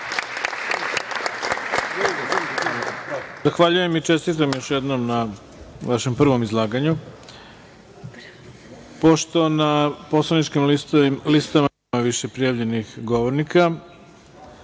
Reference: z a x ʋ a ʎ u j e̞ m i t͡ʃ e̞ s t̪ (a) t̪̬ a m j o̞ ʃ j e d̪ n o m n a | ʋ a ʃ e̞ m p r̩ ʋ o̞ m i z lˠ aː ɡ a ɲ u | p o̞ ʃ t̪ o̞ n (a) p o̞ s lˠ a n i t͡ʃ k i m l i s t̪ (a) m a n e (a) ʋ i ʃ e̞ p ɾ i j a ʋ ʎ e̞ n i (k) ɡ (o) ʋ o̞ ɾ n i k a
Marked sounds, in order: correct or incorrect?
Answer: incorrect: i, correct, correct, correct, incorrect: x, correct

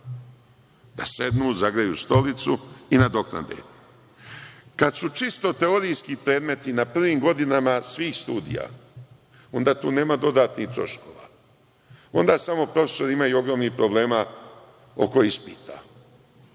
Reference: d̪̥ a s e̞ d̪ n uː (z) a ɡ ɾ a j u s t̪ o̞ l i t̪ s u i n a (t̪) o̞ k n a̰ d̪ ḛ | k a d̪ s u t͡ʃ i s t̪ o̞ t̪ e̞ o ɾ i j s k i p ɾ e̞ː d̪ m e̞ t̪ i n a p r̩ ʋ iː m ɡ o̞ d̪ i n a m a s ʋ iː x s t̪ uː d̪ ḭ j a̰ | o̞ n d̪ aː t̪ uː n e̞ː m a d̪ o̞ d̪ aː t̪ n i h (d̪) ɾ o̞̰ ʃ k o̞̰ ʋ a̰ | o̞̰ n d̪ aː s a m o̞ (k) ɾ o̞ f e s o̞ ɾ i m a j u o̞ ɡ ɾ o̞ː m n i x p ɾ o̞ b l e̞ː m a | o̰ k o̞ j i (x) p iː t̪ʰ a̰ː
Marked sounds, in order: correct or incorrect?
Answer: correct, incorrect: d̪, incorrect: t̪, incorrect: p, incorrect: s

